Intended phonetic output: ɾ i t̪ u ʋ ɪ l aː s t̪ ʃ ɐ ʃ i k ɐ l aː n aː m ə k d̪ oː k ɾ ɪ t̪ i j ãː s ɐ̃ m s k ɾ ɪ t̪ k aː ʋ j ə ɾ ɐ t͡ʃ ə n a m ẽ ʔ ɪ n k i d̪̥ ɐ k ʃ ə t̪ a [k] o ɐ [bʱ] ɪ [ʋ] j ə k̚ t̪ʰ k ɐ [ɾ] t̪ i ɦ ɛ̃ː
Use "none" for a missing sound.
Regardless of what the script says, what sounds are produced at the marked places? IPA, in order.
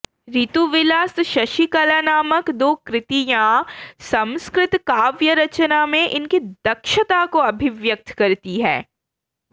k, bʱ, ʋ, ɾ

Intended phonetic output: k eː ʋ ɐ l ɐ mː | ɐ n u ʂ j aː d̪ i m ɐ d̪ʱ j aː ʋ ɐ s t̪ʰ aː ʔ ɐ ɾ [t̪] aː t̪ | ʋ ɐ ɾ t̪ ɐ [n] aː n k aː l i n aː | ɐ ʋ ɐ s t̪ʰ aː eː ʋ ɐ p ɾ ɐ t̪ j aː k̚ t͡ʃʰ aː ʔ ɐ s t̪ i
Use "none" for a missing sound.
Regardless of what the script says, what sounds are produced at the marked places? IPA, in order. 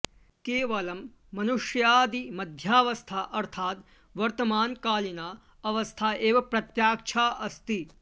t̪ʰ, m

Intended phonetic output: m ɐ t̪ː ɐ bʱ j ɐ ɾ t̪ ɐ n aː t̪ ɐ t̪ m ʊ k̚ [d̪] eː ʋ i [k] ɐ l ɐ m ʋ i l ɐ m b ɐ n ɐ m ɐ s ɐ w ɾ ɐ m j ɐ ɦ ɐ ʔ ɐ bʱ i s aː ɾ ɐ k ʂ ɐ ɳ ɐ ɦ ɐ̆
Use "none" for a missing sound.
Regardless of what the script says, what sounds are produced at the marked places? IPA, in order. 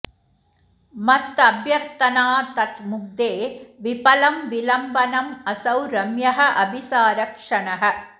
d̪, p

